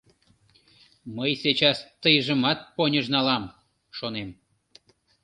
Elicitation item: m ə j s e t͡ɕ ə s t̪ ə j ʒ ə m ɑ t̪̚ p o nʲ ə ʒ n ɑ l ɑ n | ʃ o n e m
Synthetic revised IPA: m ə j s e t͡ɕ ɑ s t̪ ə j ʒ ə m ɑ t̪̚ p o nʲ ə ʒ n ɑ l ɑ m | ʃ o n e m